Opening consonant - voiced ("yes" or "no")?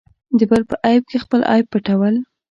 yes